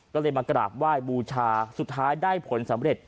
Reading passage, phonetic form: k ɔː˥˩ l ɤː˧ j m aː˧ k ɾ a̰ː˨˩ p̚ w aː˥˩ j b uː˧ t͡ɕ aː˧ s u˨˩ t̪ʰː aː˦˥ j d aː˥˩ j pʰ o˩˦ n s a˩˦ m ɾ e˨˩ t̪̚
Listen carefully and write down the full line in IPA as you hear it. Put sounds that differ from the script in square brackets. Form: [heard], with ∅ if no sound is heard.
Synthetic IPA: k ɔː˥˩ l ɤː˧ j m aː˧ k ɾ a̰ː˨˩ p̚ w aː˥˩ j b uː˧ [t͡ɕʰ] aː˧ s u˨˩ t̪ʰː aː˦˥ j d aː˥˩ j pʰ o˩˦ n s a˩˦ m ɾ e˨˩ t̪̚